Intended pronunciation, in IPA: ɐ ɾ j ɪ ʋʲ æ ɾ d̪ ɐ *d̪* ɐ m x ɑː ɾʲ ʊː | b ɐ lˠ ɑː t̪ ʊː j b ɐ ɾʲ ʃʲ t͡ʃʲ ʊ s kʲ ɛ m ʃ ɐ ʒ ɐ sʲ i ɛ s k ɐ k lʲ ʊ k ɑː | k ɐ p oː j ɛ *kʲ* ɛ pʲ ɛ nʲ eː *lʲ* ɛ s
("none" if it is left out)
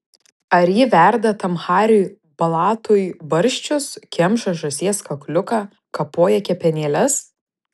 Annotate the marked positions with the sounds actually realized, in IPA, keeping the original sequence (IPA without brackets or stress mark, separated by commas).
t̪, kʲ, lʲ